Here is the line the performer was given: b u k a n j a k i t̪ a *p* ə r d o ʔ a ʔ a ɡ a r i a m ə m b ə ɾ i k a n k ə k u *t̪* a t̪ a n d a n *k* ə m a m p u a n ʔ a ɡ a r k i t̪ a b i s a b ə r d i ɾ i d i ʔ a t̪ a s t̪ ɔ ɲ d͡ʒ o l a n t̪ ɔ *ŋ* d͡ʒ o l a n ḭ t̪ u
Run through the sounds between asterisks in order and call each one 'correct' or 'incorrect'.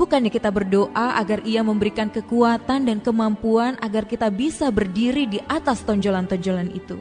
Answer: incorrect: b, incorrect: none, correct, incorrect: ɲ

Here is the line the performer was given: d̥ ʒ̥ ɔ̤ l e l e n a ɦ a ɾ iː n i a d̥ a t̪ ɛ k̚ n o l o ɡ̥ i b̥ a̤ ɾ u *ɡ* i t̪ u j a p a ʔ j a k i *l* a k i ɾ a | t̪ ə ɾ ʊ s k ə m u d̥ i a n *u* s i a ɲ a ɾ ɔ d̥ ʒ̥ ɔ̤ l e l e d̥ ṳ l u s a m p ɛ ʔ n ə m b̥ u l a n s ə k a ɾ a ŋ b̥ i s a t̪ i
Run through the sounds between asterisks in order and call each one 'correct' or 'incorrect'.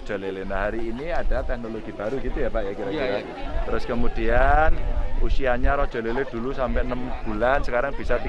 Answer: correct, incorrect: ɾ, correct

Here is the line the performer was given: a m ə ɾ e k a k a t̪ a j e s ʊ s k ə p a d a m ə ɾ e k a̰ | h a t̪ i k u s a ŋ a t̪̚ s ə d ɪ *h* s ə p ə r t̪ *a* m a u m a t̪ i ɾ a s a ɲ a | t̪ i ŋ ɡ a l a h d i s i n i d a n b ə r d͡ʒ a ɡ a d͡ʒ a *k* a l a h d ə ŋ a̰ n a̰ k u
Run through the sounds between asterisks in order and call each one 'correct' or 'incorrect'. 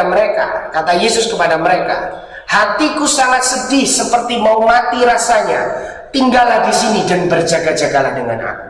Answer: correct, incorrect: i, incorrect: ɡ

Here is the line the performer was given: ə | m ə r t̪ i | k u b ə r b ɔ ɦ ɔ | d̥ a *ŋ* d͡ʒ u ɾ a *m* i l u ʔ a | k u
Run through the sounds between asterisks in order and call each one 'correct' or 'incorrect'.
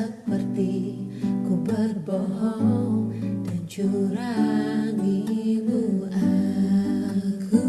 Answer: incorrect: n, incorrect: ŋ

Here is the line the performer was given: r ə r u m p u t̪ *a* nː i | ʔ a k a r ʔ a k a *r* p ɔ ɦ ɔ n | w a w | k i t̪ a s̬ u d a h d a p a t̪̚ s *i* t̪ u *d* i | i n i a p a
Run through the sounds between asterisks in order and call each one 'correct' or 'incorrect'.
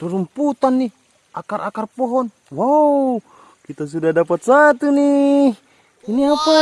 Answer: correct, correct, incorrect: a, incorrect: n

